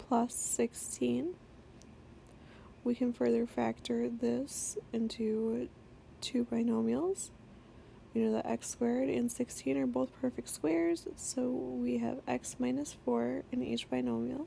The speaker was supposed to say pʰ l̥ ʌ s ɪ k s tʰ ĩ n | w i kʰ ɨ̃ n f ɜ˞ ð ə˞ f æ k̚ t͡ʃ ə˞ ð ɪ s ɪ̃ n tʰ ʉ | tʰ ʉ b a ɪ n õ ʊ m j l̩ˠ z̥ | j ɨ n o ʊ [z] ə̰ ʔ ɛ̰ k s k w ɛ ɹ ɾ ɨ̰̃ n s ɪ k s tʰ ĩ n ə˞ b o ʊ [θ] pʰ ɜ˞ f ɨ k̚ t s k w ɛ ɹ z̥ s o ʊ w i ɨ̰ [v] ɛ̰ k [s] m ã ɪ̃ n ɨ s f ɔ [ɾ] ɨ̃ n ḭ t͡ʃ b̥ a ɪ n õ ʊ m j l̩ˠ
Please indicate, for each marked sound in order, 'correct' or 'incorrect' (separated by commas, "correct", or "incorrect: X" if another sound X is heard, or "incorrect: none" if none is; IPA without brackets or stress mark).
incorrect: ð, correct, correct, correct, incorrect: ɹ